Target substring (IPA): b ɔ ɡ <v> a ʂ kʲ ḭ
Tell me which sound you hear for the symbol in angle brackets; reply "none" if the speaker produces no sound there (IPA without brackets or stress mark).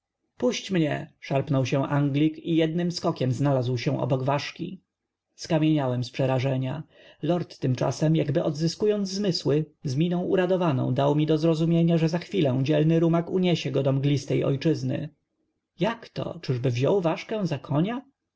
v